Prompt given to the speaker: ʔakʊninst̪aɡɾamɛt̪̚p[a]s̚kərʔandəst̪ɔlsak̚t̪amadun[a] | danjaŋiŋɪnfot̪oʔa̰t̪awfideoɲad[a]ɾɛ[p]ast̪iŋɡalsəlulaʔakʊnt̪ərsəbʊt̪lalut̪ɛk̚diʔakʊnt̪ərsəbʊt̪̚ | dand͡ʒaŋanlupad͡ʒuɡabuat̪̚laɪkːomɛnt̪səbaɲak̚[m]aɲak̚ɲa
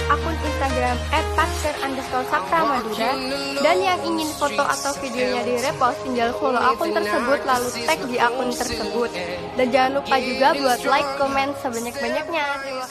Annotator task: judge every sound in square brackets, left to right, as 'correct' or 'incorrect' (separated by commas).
correct, correct, incorrect, correct, incorrect